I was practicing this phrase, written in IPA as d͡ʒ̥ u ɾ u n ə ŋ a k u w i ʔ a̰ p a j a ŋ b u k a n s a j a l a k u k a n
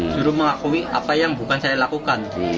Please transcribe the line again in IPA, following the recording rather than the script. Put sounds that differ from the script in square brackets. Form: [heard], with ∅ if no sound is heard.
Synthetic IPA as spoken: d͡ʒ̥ u ɾ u [m] ə ŋ a k u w i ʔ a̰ p a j a ŋ b u k a n s a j a l a k u k a n